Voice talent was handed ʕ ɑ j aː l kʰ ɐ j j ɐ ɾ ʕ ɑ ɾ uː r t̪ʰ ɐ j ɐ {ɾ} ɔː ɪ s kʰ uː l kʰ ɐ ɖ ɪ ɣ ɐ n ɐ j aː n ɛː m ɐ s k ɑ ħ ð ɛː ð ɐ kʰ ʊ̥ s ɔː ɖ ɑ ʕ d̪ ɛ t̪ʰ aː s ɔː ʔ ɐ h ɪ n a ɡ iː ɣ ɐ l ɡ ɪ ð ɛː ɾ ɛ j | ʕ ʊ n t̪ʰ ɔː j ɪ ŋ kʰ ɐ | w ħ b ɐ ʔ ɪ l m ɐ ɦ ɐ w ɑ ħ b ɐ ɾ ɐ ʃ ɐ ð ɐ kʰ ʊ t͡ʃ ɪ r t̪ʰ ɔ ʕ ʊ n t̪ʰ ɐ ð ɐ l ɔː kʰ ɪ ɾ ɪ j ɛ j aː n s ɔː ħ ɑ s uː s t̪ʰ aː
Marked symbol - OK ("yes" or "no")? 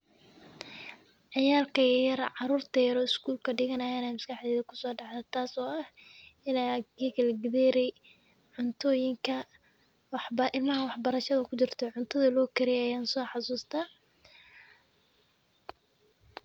yes